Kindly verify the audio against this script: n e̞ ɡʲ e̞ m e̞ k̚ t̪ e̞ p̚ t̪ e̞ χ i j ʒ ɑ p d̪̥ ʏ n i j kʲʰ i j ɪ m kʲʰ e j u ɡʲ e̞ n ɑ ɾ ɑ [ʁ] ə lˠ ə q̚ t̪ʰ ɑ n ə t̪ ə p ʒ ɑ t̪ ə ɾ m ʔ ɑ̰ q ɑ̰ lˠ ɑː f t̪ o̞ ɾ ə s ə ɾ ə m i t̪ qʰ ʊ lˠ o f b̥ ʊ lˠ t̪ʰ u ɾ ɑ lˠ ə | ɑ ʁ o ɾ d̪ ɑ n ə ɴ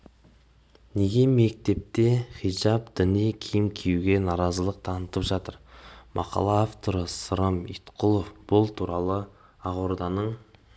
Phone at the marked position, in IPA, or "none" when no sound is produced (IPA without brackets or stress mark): z